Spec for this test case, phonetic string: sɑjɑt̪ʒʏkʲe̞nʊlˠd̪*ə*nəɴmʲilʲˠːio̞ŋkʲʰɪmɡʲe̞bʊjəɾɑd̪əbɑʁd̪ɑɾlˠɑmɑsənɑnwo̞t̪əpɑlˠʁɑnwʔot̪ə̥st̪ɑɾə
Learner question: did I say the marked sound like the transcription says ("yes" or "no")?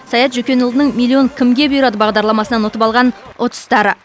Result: yes